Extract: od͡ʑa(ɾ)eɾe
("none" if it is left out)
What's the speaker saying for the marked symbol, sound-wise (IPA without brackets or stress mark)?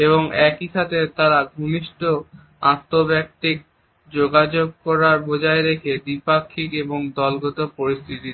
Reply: none